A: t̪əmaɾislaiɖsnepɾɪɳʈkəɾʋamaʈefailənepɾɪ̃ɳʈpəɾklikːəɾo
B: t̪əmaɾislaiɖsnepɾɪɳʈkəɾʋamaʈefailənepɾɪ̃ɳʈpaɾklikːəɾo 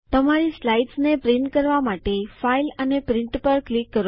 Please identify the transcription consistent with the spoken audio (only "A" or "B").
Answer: A